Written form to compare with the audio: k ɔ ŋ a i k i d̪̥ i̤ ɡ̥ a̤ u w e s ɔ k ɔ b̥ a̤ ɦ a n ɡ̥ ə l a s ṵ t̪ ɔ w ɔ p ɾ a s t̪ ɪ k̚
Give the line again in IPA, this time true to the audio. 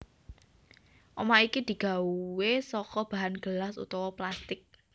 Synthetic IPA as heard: ʔ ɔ m a i k i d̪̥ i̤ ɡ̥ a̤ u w e s ɔ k ɔ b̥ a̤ ɦ a n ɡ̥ ə l a s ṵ t̪ ɔ w ɔ p l a s t̪ ɪ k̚

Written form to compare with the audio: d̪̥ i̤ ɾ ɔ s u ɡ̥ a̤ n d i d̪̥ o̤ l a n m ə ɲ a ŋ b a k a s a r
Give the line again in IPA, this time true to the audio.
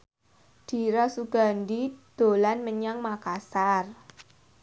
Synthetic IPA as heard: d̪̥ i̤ ɾ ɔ s u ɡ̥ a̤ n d i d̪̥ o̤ l a n m ə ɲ a ŋ m a k a s a r

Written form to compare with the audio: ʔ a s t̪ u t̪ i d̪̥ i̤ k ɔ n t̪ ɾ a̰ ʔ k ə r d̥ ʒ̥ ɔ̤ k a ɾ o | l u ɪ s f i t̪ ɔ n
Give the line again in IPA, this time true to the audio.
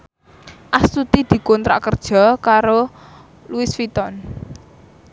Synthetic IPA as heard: ʔ a s t̪ u t̪ i d̪̥ i̤ k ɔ n t̪ ɾ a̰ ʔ k ə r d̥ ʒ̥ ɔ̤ k a ɾ o | l u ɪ s f i t̪ ɔ n

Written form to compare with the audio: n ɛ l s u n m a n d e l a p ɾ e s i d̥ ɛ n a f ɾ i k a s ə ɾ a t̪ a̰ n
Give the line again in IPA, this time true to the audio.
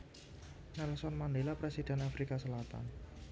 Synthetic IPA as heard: n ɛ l s ɔ n m a n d e l a p ɾ e s i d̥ ɛ n a f ɾ i k a s ə l a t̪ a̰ n

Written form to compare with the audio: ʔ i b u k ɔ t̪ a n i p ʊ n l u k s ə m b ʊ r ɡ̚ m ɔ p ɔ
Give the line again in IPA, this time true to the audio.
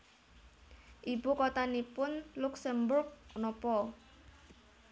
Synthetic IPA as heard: ʔ i b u k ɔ t̪ a n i p ʊ n l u k s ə m b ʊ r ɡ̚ n ɔ p ɔ

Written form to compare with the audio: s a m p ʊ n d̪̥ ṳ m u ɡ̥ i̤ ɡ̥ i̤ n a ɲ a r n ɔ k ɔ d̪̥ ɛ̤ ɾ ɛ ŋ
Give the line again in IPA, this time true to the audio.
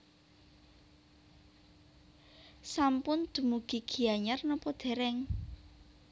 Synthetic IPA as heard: s a m p ʊ n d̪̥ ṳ m u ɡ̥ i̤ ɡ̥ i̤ a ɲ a r n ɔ p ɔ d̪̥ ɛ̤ ɾ ɛ ŋ

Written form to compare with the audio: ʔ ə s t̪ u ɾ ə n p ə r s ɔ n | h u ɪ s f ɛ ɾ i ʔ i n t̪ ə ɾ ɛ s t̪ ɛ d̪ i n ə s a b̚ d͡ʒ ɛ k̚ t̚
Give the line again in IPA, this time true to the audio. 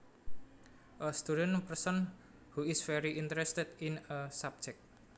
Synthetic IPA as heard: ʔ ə s t̪ u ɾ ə n p ə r s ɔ n | h u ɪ s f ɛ ɾ i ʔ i n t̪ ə ɾ ɛ s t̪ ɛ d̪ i n ə s a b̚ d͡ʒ ɛ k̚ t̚

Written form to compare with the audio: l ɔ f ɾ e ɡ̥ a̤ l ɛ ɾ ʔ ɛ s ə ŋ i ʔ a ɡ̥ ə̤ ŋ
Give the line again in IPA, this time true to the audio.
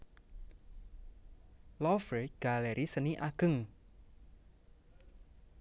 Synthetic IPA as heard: l ɔ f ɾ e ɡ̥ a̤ l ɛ ɾ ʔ i s ə n i ʔ a ɡ̥ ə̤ ŋ

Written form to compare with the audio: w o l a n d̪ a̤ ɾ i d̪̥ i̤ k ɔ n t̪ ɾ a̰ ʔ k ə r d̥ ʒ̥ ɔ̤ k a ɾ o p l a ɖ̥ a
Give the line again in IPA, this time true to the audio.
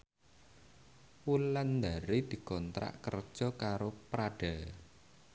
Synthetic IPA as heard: w u l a n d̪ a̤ ɾ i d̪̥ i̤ k ɔ n t̪ ɾ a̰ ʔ k ə r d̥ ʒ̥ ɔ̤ k a ɾ o p ɾ a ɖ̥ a

